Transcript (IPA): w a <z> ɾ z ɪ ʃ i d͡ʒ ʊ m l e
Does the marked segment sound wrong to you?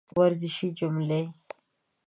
yes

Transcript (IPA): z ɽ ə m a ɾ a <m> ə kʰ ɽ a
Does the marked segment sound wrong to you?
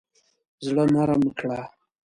no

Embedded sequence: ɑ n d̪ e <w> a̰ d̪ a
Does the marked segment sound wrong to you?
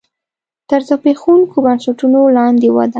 no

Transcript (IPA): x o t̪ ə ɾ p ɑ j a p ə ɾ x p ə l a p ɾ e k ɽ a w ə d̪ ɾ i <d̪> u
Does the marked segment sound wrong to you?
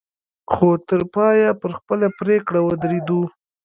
no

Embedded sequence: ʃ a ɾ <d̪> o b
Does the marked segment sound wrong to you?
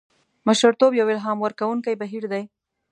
yes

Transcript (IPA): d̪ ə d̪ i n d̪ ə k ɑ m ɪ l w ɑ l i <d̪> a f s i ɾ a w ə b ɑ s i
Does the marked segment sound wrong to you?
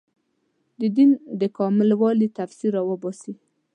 yes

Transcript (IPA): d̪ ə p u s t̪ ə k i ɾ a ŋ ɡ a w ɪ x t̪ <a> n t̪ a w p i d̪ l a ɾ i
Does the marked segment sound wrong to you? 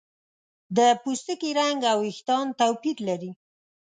yes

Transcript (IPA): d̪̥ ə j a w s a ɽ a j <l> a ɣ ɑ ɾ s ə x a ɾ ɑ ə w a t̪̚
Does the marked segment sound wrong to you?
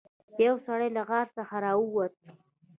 no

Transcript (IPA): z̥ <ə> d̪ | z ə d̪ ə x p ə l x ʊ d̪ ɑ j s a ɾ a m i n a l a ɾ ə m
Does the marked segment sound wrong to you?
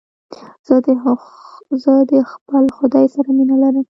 no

